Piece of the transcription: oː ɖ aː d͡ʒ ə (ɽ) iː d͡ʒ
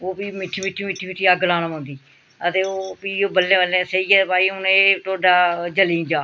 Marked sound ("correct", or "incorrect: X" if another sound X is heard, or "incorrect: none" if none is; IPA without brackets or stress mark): incorrect: l